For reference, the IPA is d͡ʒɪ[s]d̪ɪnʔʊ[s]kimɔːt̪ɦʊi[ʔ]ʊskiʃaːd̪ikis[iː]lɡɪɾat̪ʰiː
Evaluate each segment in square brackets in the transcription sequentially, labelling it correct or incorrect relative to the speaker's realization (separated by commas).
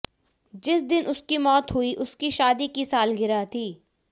correct, correct, correct, incorrect